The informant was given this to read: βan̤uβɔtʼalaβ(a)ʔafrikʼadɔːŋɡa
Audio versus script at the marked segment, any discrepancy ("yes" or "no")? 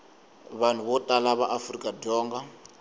no